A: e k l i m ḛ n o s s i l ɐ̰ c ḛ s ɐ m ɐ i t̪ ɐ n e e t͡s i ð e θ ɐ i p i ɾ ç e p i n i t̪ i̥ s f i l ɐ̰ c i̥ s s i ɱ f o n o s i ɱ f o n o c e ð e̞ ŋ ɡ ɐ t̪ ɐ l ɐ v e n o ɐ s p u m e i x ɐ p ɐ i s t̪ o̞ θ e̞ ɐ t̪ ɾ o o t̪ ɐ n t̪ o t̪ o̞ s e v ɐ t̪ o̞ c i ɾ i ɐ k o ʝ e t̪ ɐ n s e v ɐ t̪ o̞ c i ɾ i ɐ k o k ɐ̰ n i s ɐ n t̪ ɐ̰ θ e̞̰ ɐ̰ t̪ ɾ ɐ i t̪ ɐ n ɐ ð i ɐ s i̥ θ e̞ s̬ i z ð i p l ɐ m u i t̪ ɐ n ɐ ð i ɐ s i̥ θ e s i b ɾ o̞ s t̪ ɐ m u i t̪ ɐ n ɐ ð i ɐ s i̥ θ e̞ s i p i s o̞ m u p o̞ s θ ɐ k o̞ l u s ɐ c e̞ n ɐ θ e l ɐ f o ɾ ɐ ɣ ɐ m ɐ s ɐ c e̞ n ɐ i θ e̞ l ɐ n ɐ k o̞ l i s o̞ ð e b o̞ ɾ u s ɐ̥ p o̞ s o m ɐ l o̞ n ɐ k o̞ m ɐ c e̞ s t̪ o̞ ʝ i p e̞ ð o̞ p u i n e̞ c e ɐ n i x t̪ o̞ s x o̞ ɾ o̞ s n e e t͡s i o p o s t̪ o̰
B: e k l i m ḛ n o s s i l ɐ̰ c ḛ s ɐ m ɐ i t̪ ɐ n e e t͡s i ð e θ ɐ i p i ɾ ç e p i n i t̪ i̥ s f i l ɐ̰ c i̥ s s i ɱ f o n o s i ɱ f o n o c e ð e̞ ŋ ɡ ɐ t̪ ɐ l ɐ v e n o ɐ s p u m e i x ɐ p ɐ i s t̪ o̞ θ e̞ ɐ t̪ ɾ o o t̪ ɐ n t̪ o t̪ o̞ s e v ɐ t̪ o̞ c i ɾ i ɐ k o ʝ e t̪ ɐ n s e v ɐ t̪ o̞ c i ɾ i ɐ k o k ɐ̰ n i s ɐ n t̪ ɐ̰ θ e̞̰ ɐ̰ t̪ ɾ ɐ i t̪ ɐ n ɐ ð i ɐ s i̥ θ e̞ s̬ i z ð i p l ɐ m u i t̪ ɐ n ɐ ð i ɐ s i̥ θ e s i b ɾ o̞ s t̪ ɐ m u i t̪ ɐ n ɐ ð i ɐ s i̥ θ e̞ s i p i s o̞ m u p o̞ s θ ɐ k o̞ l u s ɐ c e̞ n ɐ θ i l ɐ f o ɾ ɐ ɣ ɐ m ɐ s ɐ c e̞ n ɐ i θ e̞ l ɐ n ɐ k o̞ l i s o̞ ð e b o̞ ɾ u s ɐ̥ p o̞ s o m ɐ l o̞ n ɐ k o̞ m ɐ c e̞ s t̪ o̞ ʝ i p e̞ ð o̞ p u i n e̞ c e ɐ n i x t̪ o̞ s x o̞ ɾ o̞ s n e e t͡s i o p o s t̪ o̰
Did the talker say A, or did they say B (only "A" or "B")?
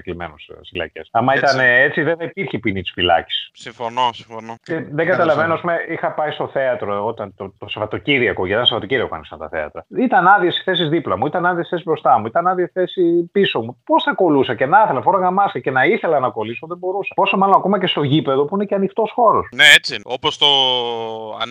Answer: A